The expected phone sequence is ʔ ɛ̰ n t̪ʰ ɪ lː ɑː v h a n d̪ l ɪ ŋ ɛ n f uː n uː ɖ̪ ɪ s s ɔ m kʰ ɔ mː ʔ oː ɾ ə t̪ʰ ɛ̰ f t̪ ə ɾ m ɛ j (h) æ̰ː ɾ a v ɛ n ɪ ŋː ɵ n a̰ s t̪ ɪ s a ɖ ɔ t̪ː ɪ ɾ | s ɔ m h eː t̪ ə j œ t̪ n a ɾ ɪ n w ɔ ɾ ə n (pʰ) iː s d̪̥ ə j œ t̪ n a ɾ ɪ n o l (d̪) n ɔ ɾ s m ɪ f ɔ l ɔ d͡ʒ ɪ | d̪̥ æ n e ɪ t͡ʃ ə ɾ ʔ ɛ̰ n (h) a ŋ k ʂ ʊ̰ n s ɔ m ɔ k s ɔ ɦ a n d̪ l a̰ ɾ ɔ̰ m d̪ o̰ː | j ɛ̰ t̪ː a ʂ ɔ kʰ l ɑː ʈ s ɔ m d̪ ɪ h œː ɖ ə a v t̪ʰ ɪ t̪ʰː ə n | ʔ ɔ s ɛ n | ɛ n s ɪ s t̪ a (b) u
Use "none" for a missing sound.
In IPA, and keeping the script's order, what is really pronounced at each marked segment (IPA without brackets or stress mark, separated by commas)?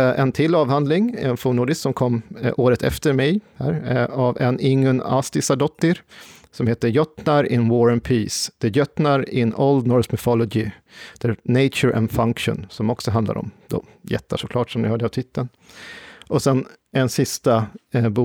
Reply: h, pʰ, d̪, f, b